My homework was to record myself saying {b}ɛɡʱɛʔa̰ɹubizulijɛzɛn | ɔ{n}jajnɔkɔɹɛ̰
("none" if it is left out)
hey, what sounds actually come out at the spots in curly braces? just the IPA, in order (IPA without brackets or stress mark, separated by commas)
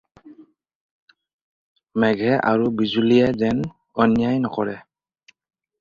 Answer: m, n